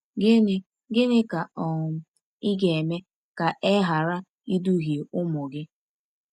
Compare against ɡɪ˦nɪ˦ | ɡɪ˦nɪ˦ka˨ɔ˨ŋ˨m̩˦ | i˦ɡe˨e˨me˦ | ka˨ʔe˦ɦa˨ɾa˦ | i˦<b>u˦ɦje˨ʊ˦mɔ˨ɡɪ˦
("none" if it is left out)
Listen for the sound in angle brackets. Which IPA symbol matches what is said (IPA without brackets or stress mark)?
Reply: d